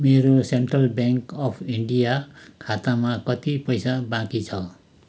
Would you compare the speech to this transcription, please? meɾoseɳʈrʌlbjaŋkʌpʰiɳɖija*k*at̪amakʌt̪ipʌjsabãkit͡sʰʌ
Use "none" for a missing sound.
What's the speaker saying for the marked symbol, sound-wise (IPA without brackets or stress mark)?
kʰ